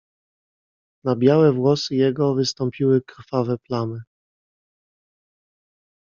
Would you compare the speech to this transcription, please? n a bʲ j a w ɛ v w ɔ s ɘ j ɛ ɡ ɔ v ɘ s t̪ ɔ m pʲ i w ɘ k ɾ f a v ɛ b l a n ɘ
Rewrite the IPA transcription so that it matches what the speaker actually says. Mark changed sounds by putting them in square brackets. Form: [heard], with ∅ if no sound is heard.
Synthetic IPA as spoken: n a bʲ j a w ɛ v w ɔ s ɘ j ɛ ɡ ɔ v ɘ s t̪ ɔ m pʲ i w ɘ k ɾ f a v ɛ [p] l a n ɘ